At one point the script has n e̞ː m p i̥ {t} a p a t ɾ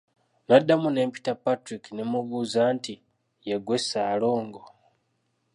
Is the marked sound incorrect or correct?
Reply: correct